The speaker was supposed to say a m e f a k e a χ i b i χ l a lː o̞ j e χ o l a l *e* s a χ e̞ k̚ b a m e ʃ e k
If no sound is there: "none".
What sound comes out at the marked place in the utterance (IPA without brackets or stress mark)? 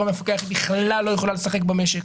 e